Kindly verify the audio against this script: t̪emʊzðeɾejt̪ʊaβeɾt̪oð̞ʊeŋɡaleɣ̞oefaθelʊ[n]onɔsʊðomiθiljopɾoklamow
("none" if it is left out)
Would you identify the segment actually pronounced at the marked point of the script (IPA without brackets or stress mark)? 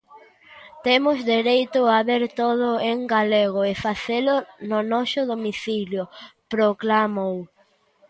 n